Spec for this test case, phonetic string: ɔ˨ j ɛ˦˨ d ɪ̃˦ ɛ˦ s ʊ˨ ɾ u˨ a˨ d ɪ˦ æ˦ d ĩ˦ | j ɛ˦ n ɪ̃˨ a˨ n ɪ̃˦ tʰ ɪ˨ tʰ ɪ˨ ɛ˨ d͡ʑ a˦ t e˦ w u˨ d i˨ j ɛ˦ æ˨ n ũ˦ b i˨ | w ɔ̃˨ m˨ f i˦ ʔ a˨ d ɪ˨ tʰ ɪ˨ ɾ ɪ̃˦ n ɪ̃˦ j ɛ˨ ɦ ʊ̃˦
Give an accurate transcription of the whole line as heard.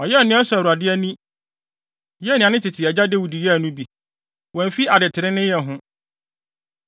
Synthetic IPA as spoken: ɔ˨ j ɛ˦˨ n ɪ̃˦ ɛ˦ s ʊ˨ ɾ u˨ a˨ d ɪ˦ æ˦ n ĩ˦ | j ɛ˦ n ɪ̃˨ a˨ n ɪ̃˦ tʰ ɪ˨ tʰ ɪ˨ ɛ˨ d͡ʑ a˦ d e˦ w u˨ d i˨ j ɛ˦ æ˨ n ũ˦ b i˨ | w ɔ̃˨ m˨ f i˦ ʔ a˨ d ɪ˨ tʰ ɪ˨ ɾ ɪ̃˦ n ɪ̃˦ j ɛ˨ ɦ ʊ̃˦